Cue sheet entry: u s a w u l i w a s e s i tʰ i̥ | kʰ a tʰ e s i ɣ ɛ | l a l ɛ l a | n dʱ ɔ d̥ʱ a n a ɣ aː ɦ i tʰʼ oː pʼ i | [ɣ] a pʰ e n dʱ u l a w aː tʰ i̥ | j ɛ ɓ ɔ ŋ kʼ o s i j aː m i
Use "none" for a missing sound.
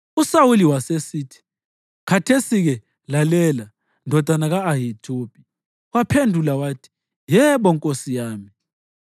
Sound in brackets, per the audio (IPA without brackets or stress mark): w